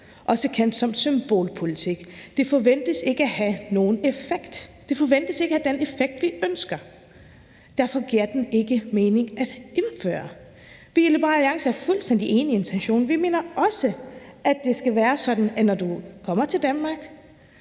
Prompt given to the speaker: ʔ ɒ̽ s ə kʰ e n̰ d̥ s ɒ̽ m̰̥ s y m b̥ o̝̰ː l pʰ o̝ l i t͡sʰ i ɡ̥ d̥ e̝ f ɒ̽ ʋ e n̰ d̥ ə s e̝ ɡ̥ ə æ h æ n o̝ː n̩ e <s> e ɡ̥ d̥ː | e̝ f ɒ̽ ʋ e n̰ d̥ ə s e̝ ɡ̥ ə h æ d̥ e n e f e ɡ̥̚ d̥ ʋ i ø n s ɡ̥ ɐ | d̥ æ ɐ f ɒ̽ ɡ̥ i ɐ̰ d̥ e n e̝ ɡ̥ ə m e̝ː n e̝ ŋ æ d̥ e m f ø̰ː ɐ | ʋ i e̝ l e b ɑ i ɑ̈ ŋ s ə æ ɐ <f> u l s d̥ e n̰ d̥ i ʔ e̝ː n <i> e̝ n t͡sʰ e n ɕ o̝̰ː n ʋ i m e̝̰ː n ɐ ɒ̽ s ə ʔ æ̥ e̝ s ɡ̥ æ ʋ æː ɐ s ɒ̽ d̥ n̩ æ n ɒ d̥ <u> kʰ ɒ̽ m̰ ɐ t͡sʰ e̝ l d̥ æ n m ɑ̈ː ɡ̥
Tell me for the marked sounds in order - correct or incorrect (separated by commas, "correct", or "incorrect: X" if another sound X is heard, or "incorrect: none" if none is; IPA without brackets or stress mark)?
incorrect: f, correct, correct, correct